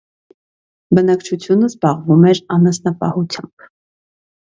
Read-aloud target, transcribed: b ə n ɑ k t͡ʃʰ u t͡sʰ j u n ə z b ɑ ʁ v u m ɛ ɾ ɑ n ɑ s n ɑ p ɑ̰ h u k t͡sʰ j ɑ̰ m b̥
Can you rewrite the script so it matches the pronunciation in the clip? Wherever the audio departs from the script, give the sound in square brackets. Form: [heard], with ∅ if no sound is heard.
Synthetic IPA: b ə n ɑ k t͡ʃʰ u t͡sʰ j u n ə z b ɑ ʁ v u m ɛ ɾ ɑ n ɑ s n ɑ p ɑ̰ h u [∅] t͡sʰ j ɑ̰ m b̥